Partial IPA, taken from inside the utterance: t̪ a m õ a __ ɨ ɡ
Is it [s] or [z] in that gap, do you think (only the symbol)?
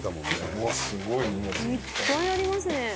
s